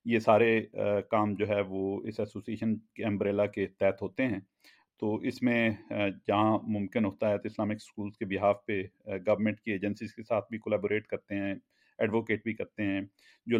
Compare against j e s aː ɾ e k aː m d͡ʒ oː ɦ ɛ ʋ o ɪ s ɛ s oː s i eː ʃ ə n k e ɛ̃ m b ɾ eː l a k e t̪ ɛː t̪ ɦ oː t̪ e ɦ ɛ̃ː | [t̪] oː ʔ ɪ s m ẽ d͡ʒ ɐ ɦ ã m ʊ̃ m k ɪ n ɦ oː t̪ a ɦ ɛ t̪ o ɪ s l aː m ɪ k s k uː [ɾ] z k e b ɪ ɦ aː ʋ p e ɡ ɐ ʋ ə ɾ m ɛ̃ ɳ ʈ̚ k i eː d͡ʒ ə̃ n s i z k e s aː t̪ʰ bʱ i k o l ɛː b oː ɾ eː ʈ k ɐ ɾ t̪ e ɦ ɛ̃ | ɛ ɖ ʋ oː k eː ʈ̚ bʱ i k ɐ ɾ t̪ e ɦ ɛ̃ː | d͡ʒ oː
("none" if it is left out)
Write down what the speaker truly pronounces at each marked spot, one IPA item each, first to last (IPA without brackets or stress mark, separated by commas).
t̪, l